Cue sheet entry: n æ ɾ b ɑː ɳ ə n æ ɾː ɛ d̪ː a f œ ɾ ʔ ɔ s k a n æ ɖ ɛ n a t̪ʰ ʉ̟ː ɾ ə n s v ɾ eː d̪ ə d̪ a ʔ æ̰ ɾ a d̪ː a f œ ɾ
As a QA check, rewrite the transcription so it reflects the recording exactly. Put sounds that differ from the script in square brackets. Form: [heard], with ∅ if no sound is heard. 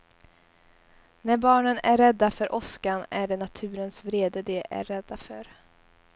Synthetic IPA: n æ ɾ b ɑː ɳ ə n æ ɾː ɛ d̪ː a f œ ɾ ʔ ɔ s k a n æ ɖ ɛ n a t̪ʰ ʉ̟ː ɾ ə n s v ɾ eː d̪ ə d̪ [ɛ] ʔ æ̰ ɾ [ɛ] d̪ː a f œ ɾ